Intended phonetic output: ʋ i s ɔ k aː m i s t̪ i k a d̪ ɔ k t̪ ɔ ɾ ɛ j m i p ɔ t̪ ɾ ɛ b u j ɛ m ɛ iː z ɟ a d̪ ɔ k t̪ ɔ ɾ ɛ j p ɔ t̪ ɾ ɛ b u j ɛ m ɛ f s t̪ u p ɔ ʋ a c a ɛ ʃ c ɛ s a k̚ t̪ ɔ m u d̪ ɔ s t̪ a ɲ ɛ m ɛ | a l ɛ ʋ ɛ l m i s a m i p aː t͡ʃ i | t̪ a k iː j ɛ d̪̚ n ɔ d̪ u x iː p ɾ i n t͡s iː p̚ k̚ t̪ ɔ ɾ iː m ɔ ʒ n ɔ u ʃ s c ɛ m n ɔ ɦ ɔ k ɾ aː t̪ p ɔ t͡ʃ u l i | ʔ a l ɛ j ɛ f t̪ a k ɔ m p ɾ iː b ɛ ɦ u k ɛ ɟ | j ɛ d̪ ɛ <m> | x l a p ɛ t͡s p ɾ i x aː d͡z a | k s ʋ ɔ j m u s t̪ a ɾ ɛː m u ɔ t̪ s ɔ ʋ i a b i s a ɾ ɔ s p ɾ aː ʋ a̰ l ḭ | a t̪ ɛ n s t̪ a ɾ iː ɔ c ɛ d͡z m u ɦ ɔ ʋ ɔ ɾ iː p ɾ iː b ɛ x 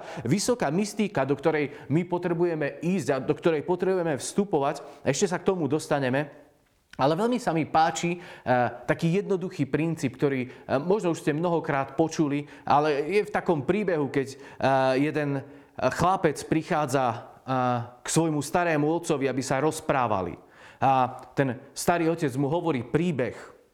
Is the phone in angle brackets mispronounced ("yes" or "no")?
yes